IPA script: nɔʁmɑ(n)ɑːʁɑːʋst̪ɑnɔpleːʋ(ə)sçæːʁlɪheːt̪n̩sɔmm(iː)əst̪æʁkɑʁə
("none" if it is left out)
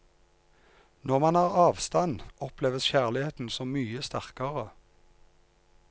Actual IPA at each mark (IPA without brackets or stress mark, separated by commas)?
n, ə, yː